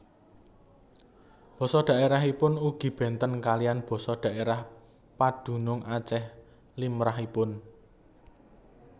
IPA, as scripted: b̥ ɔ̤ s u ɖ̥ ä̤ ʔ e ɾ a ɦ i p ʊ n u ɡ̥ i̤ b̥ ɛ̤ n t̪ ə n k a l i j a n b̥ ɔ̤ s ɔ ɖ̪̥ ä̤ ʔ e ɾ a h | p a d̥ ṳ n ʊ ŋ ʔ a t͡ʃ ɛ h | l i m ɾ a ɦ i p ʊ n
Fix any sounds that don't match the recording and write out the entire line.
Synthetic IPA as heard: b̥ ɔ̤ s ɔ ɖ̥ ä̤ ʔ e ɾ a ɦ i p ʊ n u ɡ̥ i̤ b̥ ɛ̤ n t̪ ə n k a l i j a n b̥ ɔ̤ s ɔ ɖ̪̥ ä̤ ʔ e ɾ a h | p a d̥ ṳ n ʊ ŋ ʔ a t͡ʃ ɛ h | l i m ɾ a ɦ i p ʊ n